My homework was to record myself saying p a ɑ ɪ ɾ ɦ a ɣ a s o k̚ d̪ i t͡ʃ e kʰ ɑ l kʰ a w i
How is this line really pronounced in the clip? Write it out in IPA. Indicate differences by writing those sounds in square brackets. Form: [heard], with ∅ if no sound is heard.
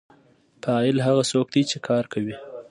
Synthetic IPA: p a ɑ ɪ [l] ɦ a ɣ a s o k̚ d̪ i t͡ʃ e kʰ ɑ [ɾ] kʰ a w i